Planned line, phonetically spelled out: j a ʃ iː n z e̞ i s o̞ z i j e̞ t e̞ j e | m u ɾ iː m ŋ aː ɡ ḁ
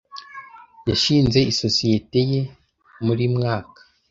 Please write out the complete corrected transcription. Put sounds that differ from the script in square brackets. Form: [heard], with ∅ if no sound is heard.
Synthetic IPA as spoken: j a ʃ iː n z e̞ i s o̞ [s] i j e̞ t e̞ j e | m u ɾ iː m ŋ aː [k] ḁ